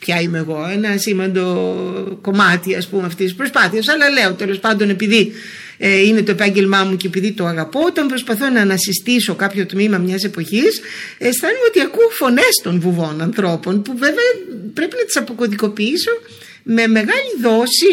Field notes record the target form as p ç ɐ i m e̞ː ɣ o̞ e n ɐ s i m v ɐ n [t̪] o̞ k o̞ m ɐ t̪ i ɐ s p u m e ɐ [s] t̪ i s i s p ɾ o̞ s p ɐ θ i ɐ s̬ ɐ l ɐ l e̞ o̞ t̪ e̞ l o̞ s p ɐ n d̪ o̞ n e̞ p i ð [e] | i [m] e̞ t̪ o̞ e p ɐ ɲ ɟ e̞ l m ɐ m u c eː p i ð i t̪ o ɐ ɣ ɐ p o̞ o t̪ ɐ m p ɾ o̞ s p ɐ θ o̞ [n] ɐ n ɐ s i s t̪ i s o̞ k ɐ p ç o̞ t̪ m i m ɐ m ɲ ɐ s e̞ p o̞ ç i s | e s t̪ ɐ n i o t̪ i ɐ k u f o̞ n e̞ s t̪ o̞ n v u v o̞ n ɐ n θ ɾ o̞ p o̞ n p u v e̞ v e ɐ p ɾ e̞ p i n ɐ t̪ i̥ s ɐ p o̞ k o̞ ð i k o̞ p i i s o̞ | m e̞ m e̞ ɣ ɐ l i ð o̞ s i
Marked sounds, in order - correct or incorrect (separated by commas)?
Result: incorrect, incorrect, incorrect, incorrect, correct